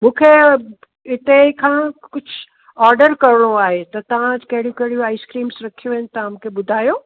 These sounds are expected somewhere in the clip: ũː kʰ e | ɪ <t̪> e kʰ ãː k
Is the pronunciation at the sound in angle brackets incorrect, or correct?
correct